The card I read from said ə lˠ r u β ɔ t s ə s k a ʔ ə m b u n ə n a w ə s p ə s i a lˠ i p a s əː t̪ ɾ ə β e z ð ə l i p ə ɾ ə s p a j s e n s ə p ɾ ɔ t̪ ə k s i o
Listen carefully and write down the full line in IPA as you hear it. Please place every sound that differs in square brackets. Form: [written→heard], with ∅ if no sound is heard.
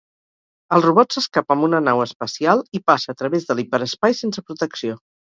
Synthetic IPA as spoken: ə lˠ r u β ɔ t s ə s k a [ʔ→p] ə m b u n ə n a w ə s p ə s i a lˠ i p a s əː t̪ ɾ ə β e z ð ə l i p ə ɾ ə s p a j s e n s ə p ɾ [ɔ→u] t̪ ə k s i o